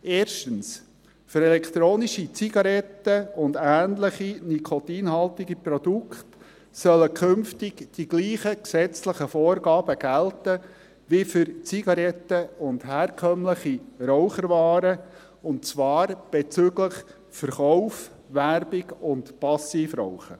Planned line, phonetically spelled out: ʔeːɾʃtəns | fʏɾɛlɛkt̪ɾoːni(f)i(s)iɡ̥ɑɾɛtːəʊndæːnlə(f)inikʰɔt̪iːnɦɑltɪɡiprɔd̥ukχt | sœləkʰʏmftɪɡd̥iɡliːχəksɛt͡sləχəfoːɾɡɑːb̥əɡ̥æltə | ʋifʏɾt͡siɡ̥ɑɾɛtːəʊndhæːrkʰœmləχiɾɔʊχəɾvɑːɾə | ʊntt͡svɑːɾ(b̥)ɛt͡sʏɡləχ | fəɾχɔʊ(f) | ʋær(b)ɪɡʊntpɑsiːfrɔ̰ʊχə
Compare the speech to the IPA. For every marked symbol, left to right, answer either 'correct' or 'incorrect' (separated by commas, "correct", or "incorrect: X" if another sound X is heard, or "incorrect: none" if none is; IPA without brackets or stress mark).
incorrect: ʃ, incorrect: t͡s, incorrect: χ, correct, correct, correct